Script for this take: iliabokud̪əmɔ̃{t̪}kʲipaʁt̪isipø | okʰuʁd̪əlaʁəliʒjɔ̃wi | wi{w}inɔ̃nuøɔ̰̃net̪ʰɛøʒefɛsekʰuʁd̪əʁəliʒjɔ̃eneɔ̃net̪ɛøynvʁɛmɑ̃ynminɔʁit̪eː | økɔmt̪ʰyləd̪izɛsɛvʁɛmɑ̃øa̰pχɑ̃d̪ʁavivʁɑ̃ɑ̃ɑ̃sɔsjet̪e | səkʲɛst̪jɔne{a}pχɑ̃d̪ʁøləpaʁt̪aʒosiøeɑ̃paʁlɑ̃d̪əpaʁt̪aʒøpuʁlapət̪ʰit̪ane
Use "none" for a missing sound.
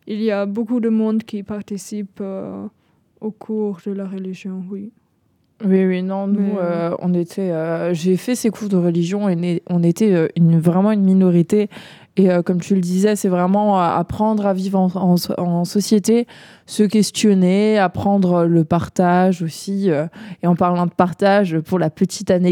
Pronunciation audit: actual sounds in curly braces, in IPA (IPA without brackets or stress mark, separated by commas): d̪, w, a